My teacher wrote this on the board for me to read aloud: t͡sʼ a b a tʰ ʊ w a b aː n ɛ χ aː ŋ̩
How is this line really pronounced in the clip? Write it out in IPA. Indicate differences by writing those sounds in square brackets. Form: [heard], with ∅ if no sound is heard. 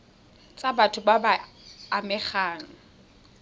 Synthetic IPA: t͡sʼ a b a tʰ ʊ [b] a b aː [m] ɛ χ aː ŋ̩